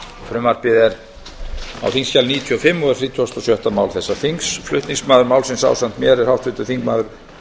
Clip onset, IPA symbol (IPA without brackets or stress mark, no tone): f